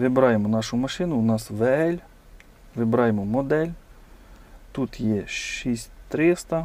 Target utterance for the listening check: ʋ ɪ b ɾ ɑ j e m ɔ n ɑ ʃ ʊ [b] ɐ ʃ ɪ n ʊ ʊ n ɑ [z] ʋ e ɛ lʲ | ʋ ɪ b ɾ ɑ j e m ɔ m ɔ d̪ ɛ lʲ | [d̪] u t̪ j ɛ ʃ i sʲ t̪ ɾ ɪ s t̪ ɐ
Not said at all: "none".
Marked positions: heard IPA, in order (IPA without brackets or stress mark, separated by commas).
m, s, t̪